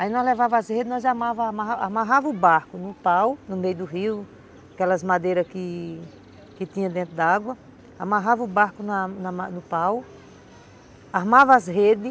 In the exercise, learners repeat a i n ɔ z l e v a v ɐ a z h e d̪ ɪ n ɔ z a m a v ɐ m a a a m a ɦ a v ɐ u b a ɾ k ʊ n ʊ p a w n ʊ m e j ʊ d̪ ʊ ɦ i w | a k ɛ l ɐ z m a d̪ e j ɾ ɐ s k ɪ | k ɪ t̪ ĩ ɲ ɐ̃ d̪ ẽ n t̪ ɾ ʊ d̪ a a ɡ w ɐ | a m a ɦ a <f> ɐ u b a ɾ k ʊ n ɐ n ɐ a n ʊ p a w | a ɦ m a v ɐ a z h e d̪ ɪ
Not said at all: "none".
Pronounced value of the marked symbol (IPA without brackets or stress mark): v